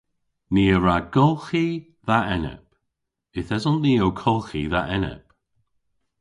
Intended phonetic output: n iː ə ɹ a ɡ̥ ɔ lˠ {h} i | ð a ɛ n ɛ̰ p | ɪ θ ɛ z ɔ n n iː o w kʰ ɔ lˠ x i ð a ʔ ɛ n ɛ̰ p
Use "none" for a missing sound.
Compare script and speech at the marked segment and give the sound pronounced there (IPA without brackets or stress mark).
x